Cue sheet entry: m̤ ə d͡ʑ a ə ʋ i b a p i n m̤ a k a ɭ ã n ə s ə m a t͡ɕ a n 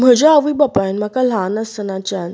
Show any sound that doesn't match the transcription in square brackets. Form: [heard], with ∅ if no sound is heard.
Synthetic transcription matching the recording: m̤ ə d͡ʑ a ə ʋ i b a p [a] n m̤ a k a [l] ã n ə s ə [n] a t͡ɕ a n